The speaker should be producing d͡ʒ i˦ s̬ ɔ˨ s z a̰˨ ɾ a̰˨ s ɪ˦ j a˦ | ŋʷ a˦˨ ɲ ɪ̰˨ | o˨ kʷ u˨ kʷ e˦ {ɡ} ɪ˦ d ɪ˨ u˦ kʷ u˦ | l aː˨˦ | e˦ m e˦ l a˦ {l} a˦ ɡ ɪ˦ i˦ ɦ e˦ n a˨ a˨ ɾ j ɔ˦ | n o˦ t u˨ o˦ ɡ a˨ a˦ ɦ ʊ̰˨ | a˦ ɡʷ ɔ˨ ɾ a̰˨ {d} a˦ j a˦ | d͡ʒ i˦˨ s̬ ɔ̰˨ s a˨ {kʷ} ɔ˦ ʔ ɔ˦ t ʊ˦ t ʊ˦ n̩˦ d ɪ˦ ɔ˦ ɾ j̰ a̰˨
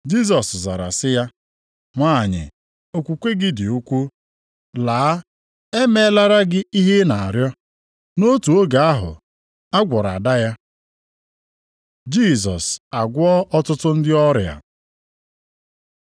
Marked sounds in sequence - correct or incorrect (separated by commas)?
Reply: correct, incorrect, correct, incorrect